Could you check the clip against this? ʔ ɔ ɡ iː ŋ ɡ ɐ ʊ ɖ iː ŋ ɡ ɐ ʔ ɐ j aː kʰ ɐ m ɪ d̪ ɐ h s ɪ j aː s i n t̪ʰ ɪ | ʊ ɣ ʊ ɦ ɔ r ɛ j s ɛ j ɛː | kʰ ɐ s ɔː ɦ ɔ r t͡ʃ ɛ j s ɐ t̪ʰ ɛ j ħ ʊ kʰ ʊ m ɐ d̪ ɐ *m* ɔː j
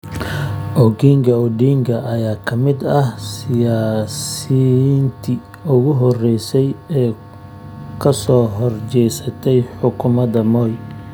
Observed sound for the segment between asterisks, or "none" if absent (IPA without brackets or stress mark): m